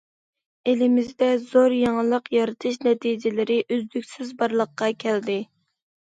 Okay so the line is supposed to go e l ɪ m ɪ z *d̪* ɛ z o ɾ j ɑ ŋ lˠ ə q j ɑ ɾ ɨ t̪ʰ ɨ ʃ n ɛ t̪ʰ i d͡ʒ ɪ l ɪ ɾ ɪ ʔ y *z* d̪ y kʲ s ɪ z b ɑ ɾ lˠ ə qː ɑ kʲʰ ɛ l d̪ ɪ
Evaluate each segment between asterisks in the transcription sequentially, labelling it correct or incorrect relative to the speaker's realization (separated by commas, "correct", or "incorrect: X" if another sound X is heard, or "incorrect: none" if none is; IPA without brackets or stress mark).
correct, correct